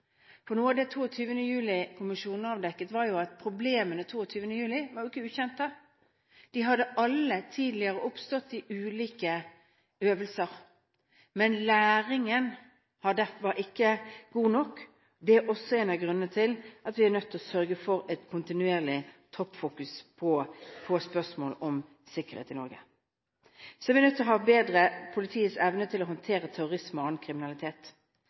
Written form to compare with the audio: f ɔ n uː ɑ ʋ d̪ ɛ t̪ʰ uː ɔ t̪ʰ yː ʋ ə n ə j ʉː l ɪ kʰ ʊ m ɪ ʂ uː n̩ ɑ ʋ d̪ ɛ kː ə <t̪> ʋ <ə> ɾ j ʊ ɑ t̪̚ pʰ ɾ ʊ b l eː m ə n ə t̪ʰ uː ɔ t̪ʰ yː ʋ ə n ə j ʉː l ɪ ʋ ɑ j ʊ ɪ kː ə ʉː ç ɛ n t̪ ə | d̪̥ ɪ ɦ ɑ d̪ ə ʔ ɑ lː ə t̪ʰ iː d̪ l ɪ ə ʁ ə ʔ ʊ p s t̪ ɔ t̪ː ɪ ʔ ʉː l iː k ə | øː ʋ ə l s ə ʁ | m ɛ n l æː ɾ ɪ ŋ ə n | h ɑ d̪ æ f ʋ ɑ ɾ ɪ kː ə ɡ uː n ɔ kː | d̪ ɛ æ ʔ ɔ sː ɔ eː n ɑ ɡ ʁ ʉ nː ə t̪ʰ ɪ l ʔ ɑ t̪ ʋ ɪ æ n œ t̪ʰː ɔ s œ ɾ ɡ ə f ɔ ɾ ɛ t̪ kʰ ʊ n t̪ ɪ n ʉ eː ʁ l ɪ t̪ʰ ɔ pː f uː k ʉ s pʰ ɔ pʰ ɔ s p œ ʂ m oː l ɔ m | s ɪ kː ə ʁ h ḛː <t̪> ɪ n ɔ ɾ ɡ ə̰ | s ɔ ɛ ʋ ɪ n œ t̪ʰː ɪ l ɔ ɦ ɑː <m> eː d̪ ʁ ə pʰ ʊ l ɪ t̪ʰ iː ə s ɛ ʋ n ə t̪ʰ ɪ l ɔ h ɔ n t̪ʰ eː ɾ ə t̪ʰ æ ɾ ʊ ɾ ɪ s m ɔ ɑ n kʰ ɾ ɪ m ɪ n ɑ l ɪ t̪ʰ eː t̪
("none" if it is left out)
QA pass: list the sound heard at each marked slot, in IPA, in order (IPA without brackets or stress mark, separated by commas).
t̪, ɑ, t̪, b